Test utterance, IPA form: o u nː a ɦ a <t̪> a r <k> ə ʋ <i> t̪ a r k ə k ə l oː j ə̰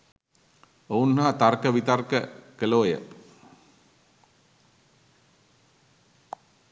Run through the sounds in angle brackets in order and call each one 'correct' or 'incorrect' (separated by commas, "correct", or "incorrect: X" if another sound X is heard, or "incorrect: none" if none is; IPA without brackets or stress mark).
correct, correct, correct